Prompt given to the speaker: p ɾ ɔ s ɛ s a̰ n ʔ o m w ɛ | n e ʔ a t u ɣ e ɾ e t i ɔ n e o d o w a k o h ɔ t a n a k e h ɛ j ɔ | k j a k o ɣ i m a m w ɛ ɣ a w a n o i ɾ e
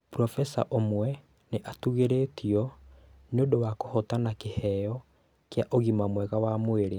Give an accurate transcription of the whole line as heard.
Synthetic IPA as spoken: p ɾ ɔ f ɛ s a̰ ʔ o m w ɛ | n e ʔ a t u ɣ e ɾ e t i ɔ n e o d o w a k o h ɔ t a n a k e h ɛ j ɔ | k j a ʔ o ɣ i m a m w ɛ ɣ a w a m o e ɾ e